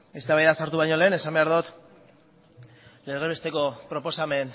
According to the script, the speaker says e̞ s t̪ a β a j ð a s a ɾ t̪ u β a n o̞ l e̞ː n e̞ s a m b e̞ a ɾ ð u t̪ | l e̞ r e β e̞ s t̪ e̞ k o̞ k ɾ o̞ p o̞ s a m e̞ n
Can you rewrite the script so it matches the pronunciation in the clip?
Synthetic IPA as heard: e̞ s t̪ a β a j ð a s a ɾ t̪ u β a ɲ o̞ l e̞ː n e̞ s a m b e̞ a ɾ ð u t̪ | l e̞ r e β e̞ s t̪ e̞ k o̞ p ɾ o̞ p o̞ s a m e̞ n